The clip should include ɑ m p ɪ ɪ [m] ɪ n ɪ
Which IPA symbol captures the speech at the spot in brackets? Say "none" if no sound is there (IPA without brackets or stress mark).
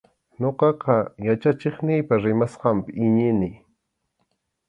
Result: ɲ